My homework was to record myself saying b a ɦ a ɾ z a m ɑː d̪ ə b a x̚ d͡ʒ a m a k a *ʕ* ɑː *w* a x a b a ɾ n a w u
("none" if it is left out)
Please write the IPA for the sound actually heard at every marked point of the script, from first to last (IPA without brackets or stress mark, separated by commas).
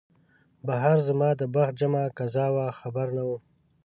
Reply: z, w